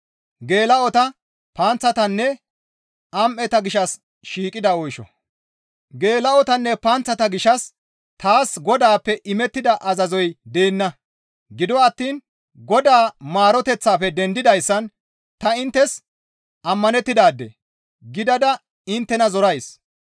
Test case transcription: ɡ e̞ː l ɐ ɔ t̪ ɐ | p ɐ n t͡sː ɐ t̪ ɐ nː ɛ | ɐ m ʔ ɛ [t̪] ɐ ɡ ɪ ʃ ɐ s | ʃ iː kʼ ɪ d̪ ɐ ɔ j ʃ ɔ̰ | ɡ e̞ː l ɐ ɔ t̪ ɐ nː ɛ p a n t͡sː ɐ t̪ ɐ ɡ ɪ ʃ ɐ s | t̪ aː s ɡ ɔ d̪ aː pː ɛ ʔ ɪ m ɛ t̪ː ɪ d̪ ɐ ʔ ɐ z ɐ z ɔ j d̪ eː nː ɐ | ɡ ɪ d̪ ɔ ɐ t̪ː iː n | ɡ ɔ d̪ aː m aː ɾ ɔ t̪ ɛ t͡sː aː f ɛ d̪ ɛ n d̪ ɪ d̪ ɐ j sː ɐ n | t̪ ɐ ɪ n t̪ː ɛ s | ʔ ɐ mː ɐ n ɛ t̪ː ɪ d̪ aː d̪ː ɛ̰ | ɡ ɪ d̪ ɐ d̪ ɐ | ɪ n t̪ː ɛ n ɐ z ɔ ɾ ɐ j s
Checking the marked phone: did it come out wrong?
no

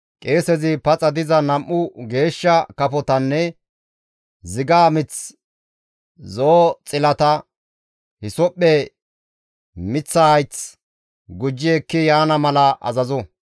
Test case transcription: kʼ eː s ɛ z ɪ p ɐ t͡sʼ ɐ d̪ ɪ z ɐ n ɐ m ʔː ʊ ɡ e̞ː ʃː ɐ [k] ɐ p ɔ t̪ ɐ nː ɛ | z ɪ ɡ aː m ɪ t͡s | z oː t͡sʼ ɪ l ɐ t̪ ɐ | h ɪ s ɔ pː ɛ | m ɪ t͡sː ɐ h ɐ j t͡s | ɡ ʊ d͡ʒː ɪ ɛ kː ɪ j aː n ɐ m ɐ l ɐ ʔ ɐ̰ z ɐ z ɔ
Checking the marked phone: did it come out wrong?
no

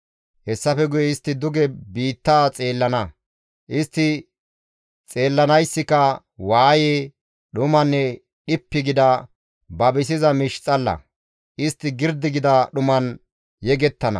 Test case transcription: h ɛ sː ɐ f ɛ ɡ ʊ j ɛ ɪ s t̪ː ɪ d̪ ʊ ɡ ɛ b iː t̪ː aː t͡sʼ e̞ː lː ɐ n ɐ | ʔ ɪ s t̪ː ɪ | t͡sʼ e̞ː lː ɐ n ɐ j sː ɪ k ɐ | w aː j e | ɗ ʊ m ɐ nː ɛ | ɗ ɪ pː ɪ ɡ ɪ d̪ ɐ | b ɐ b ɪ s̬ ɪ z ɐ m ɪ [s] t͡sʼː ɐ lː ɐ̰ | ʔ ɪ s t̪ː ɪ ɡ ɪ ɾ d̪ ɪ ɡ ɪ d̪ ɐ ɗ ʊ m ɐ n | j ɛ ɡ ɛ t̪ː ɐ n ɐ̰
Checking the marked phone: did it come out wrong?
yes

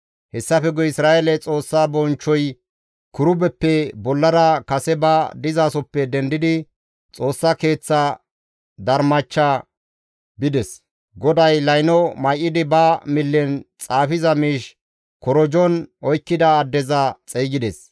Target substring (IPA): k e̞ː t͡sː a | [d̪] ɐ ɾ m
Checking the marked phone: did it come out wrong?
no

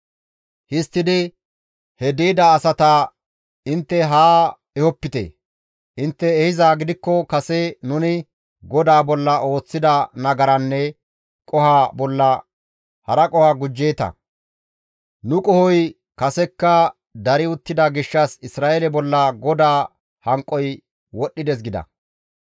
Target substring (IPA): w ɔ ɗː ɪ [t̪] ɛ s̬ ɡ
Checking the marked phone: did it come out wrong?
yes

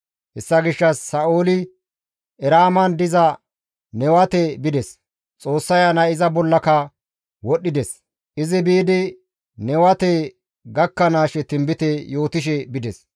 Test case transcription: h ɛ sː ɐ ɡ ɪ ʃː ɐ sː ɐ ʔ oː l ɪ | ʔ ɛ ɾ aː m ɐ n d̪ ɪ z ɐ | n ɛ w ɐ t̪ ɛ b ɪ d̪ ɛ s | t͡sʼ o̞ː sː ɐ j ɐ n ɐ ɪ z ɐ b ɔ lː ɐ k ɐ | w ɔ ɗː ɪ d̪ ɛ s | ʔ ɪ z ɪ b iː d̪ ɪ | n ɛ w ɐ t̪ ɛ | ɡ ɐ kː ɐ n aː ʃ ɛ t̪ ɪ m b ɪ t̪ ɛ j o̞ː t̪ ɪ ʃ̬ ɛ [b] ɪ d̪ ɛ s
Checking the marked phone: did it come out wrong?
no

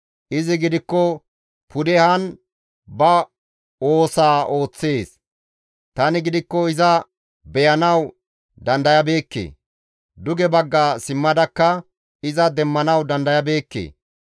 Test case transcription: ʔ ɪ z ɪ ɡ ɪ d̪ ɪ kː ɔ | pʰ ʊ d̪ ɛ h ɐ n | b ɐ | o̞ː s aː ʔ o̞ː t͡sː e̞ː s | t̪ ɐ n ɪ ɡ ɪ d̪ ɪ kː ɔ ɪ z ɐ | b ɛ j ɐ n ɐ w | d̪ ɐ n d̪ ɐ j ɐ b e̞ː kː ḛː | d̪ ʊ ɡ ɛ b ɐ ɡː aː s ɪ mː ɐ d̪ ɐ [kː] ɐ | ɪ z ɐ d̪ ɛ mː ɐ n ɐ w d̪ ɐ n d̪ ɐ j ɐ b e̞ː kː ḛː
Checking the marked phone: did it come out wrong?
no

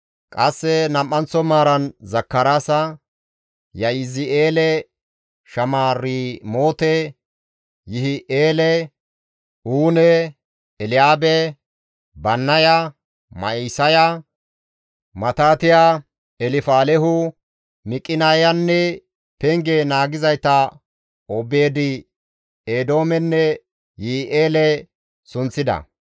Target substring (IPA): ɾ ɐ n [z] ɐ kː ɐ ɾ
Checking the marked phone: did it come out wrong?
no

